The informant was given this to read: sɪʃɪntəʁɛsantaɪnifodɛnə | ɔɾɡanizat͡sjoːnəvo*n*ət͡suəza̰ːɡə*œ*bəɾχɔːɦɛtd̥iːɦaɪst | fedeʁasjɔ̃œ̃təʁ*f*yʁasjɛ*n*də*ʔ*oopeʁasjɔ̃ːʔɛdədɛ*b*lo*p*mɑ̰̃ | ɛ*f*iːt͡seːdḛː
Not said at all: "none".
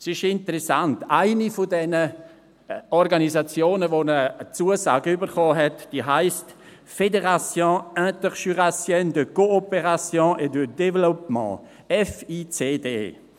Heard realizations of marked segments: n, y, ʃ, n, k, v, p, f

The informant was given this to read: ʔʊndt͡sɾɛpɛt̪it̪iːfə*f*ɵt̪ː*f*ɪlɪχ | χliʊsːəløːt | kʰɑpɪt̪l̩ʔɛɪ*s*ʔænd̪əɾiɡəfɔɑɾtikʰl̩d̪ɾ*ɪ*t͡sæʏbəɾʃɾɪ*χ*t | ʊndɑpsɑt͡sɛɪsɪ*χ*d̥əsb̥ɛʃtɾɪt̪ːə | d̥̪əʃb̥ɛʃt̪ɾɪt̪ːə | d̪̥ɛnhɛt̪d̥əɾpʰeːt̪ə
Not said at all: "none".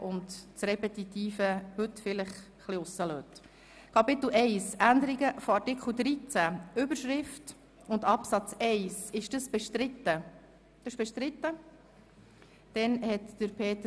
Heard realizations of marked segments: h, f, s, i, f, ʃ

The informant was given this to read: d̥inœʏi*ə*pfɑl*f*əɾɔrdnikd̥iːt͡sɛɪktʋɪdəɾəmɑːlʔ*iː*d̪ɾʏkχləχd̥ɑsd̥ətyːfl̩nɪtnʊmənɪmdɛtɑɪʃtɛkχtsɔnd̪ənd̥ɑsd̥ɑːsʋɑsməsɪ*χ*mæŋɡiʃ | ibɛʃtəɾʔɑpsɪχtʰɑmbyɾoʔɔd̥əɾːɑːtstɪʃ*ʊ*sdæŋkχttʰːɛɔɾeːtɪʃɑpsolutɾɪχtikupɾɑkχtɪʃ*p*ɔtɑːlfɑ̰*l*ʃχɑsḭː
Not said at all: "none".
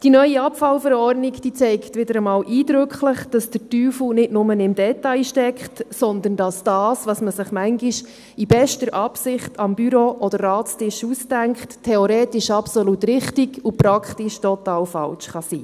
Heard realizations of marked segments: ɑ, f, iː, χ, u, t, l

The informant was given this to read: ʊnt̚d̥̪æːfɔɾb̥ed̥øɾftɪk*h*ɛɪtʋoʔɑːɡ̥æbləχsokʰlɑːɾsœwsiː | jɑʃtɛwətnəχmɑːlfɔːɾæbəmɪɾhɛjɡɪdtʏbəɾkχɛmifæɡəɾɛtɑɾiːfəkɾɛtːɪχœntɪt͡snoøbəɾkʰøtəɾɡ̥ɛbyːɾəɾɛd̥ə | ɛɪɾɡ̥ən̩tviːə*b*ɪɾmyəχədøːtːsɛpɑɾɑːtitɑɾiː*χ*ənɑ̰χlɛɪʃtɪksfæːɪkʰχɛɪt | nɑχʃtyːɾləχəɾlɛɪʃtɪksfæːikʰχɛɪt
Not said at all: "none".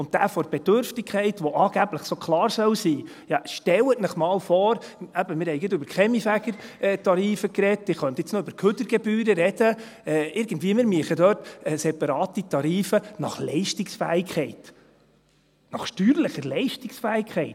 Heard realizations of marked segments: χ, m, f

